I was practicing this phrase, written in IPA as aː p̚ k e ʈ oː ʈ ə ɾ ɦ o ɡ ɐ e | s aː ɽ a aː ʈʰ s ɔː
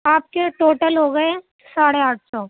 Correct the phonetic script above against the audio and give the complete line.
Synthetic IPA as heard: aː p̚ k e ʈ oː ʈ ə l ɦ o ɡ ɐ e | s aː ɽ e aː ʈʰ s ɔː